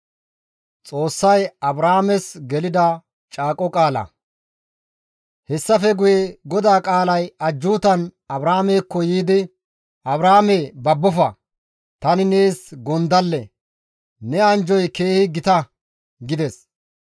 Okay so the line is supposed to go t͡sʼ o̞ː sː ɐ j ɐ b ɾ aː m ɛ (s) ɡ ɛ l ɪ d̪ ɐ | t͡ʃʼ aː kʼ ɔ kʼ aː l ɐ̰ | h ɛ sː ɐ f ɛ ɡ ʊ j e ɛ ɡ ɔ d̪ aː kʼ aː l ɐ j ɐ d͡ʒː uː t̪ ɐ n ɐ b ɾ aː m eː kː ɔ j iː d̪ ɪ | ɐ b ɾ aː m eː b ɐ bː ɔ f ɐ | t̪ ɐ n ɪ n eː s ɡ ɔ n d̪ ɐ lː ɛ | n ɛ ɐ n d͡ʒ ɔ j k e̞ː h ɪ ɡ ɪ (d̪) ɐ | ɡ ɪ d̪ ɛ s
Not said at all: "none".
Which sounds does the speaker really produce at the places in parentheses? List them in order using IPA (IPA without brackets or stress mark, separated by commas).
s, t̪